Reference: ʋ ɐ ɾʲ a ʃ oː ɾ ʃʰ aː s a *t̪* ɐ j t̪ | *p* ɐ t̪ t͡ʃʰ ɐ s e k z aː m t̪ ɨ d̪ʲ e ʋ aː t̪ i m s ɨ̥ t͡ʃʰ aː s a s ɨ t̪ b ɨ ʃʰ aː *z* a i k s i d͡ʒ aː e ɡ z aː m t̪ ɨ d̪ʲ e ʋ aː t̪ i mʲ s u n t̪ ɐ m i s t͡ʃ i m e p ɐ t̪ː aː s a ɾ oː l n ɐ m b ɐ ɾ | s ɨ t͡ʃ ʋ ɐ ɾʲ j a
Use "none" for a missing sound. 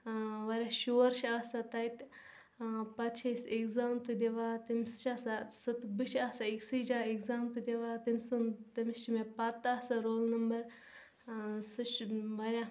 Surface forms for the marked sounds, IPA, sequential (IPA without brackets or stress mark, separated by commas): t̪, p, s